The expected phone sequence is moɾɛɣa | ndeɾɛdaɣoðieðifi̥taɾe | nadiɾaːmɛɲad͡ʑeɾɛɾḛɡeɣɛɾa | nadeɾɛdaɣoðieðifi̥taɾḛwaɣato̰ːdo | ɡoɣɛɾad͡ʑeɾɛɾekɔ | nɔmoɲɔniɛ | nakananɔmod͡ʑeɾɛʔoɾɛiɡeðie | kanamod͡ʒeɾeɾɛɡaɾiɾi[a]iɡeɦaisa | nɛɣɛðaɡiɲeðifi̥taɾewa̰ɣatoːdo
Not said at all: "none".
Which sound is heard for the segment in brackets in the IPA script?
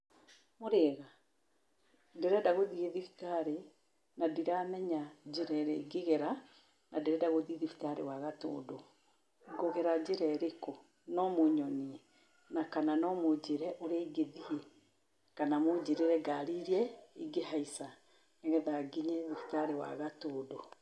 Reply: ɛ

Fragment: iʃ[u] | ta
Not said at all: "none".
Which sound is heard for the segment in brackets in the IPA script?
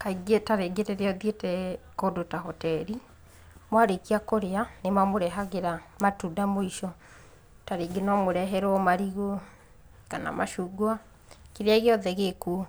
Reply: ɔ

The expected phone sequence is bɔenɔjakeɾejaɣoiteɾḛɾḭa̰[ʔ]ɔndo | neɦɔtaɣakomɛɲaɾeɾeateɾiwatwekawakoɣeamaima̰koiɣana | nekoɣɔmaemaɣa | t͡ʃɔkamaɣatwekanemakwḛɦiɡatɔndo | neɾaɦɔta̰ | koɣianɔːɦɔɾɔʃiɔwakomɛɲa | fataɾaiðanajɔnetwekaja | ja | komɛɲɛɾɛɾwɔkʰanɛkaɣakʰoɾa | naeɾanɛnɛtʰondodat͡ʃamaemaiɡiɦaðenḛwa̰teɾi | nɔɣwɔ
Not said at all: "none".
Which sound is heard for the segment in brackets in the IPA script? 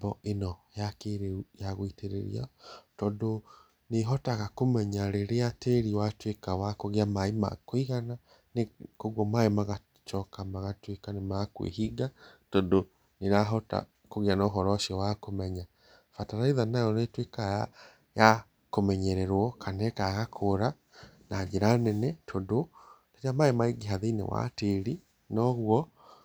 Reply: t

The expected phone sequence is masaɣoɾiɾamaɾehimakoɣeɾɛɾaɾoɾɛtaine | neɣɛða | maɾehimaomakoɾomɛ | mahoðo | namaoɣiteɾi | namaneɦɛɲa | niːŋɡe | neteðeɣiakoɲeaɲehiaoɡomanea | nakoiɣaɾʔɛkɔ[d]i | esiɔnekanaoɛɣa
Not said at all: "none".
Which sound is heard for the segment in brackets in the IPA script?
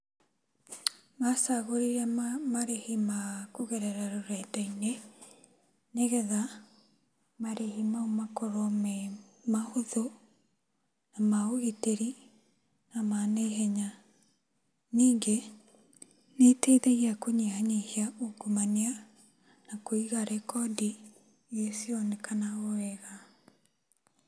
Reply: d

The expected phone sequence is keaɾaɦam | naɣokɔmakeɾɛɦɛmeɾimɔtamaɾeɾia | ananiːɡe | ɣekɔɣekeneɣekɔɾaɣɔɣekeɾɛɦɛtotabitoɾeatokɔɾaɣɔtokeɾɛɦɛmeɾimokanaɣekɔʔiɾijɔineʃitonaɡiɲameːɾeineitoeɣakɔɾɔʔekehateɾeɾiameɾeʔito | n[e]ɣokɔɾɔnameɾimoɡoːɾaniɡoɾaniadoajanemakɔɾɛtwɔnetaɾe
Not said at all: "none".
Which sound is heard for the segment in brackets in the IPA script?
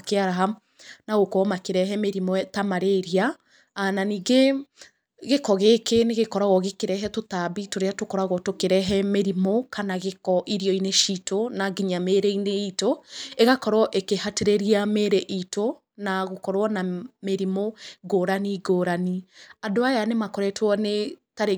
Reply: a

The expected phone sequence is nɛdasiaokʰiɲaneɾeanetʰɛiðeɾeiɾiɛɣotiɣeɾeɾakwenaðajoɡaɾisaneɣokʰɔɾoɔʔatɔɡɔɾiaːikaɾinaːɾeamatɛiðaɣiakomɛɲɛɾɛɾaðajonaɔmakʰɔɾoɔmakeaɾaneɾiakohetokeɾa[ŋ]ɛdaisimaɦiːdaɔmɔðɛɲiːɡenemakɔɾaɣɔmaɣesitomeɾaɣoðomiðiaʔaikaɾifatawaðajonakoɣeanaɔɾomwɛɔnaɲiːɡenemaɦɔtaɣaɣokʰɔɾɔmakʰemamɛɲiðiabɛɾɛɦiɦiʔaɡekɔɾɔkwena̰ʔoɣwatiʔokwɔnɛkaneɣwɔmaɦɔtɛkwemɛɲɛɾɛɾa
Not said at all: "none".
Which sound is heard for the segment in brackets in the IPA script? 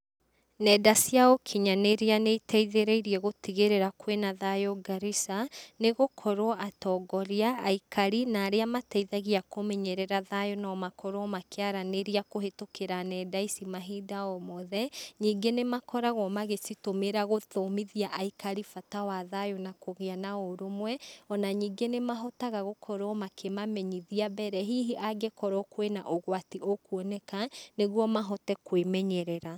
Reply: n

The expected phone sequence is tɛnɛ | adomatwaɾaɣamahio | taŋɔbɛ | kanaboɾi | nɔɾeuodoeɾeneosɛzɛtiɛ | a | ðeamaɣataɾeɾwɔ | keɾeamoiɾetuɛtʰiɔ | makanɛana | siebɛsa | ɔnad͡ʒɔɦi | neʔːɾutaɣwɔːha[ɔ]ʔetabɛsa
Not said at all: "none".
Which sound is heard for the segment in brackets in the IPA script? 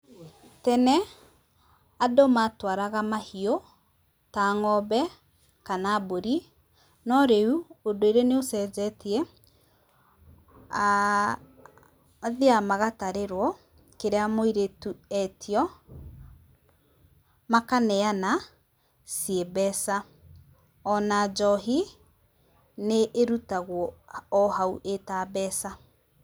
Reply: u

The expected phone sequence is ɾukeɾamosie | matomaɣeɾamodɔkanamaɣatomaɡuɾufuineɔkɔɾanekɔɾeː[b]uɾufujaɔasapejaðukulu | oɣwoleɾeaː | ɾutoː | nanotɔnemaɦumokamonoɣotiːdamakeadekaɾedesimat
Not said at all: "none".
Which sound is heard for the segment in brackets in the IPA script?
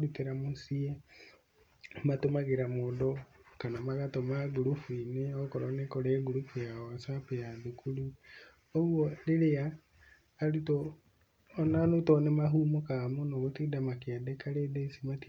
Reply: ɡ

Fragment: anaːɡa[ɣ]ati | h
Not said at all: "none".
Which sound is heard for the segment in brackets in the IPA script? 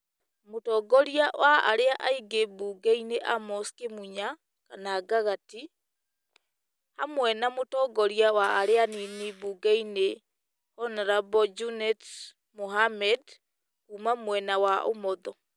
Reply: ɣ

